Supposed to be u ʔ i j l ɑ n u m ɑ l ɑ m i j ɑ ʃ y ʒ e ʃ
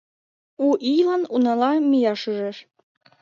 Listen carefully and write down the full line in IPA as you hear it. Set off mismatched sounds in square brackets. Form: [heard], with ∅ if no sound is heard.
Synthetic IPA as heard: u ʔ i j l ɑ n u [n] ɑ l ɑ m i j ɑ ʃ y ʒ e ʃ